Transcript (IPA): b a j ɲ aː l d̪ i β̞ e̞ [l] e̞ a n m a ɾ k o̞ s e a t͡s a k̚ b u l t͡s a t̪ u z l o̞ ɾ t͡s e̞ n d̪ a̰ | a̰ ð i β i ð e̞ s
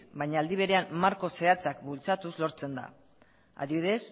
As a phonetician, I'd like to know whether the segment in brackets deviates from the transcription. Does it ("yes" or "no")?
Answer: yes